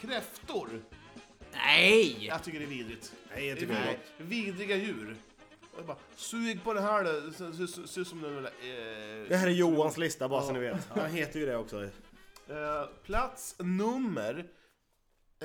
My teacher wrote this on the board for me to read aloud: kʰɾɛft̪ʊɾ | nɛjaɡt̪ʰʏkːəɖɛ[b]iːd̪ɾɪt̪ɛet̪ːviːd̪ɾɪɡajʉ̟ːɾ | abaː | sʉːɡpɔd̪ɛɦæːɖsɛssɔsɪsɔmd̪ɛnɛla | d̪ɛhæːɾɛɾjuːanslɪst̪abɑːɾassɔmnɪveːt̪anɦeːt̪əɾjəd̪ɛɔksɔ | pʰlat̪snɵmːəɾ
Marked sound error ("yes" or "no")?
yes